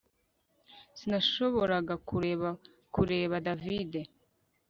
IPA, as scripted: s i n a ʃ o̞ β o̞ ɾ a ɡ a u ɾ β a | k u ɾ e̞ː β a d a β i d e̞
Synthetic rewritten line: s i n a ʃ o̞ β o̞ ɾ a ɡ a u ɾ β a | k u ɾ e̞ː β a d a v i d e̞